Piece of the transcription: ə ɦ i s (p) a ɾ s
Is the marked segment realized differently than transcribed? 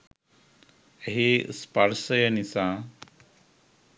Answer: no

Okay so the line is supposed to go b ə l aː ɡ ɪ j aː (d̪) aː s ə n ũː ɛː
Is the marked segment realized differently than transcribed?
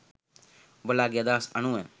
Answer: no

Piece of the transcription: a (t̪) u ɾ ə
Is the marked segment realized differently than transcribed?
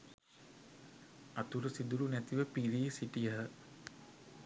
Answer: no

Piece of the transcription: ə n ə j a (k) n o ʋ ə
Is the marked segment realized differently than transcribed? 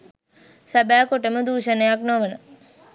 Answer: no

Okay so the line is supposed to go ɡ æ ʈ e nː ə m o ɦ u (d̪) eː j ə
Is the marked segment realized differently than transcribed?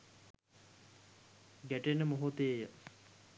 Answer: yes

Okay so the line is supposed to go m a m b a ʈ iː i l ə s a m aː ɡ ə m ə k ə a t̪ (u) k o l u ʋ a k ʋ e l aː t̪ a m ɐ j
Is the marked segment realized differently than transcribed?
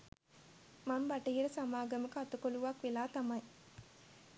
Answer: no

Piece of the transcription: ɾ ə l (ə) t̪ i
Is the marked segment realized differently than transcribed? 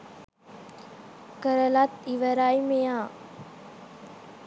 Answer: yes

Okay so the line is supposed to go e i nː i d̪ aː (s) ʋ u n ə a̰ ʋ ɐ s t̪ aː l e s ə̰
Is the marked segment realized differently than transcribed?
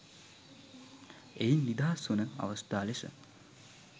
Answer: no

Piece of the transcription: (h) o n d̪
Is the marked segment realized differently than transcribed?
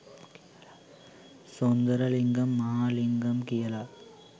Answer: yes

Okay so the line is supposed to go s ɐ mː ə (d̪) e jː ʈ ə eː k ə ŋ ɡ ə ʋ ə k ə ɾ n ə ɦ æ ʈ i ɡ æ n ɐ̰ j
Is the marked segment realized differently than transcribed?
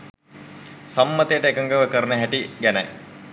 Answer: yes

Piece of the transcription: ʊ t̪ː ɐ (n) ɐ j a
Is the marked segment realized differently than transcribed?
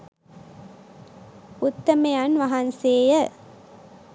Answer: yes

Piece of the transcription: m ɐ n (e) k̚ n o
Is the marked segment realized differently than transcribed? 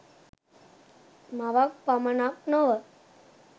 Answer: yes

